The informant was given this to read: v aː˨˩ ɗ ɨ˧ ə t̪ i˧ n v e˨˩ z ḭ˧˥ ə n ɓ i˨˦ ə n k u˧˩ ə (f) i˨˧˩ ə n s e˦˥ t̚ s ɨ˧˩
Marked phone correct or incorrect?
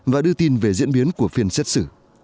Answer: correct